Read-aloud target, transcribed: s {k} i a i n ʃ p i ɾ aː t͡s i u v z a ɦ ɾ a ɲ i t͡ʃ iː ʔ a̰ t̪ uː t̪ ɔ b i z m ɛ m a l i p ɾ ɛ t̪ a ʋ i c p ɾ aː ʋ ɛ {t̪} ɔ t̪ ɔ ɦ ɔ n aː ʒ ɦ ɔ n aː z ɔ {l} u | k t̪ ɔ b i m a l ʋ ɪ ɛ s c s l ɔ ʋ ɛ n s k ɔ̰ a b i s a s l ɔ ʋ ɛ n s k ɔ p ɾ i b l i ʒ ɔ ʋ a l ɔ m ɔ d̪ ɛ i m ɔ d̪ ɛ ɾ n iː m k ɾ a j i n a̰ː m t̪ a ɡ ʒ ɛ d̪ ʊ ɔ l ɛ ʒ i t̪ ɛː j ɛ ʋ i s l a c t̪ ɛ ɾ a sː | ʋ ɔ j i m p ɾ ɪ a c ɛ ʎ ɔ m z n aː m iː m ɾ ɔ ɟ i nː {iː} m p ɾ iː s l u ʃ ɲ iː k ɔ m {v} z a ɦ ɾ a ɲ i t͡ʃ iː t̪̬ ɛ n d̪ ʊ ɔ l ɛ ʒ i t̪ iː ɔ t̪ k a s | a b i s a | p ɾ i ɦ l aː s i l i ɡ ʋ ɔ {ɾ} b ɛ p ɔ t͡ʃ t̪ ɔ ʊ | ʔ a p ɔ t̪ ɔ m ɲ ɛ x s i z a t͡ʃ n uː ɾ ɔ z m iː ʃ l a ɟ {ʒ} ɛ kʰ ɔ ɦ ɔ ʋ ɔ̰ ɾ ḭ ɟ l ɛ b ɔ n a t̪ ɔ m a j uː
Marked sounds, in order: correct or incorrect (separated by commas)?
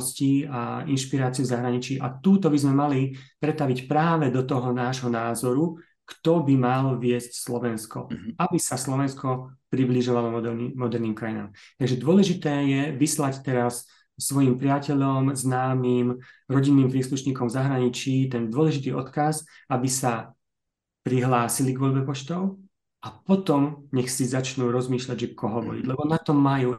incorrect, incorrect, incorrect, correct, correct, incorrect, correct